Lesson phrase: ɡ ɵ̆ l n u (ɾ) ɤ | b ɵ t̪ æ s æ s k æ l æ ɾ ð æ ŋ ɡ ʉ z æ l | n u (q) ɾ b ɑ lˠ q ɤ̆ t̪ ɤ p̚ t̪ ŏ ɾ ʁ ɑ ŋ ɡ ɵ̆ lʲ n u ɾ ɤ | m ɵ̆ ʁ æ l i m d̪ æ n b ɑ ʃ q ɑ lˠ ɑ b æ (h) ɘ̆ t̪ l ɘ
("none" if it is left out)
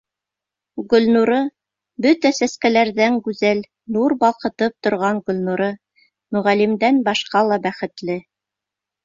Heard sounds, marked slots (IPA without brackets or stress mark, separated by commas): ɾ, none, χ